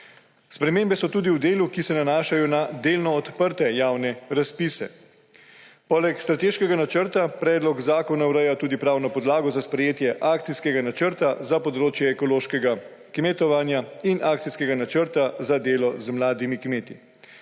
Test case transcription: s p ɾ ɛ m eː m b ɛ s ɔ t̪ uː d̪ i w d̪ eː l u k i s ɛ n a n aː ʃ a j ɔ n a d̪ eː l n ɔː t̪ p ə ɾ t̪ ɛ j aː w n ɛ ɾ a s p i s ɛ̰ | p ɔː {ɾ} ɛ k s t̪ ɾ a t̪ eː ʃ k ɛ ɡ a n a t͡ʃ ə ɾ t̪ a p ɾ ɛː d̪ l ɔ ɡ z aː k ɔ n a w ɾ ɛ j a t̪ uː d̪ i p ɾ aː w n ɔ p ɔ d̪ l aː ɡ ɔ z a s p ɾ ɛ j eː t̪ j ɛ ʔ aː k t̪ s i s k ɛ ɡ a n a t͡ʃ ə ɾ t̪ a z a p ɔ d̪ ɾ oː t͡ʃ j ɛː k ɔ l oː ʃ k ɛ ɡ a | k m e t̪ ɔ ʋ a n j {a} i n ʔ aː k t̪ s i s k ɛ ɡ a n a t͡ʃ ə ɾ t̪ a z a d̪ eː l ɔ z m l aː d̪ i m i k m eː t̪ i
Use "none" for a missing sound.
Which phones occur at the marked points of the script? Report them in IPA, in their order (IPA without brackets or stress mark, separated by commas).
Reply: l, a